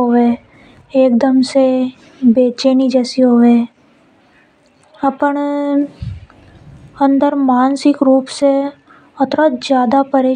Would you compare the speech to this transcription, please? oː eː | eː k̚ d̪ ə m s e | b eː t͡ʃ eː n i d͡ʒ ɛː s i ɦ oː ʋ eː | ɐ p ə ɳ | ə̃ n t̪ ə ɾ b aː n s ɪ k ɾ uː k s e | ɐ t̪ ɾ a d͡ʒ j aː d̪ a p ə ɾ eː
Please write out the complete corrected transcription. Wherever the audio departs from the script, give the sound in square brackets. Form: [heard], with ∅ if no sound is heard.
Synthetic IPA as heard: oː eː | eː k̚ d̪ ə m s e | b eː t͡ʃ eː n i d͡ʒ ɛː s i ɦ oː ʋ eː | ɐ p ə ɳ | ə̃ n [d̪] ə ɾ [m] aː n s ɪ k ɾ uː [p] s e | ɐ t̪ ɾ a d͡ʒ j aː d̪ a p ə ɾ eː